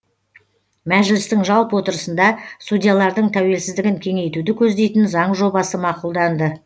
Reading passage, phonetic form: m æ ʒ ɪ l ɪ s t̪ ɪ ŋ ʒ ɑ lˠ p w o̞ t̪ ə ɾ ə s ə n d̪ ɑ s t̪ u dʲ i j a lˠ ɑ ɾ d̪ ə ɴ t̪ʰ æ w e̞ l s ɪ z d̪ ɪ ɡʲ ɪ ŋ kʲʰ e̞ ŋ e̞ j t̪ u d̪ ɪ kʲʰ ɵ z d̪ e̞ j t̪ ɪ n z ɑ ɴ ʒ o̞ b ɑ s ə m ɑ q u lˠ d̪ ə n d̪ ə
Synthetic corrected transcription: m æ ʒ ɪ l ɪ s t̪ ɪ ŋ ʒ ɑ lˠ p w o̞ t̪ ə ɾ ə s ə n d̪ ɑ s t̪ u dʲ i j a lˠ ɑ ɾ d̪ ə ɴ t̪ʰ æ w e̞ l s ɪ z d̪ ɪ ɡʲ ɪ ŋ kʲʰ e̞ ŋ e̞ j t̪ u d̪ ɪ kʲʰ ɵ z d̪ e̞ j t̪ ɪ n z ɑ ɴ ʒ o̞ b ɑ s ə m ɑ q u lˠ d̪ ɑ n d̪ ə